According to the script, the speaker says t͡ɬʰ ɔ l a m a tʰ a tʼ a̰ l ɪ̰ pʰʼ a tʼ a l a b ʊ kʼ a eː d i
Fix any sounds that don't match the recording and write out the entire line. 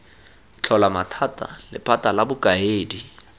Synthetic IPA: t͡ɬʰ ɔ l a m a tʰ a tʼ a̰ l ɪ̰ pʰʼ a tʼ a l a b ʊ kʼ a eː d i